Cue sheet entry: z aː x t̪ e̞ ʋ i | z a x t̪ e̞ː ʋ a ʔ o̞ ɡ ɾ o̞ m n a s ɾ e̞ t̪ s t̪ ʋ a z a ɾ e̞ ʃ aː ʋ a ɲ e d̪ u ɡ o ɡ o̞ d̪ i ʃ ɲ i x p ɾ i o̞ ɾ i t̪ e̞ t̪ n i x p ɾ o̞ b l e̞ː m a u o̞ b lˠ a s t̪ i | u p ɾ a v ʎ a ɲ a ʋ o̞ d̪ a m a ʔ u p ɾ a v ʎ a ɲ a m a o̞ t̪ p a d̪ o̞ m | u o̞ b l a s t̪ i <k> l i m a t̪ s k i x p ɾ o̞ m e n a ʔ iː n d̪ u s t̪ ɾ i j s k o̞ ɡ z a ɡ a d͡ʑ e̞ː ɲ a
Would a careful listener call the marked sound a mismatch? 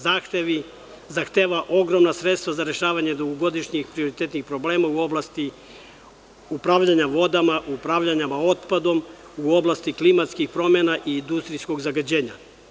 no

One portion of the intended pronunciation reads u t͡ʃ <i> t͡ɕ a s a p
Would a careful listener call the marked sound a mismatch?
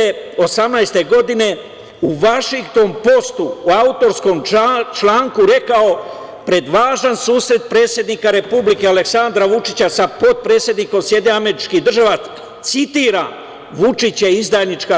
no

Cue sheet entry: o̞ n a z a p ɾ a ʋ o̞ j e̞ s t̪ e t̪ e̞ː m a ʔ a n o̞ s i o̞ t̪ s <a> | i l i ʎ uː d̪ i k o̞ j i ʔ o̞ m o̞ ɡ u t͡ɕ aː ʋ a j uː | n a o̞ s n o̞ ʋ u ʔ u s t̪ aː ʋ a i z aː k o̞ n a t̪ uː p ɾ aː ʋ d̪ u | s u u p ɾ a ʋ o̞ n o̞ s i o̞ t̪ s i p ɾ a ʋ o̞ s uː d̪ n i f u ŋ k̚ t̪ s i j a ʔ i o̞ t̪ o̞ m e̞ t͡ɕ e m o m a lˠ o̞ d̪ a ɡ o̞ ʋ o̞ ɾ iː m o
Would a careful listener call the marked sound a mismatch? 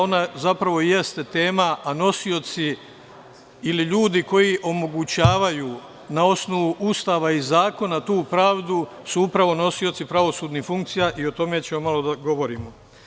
yes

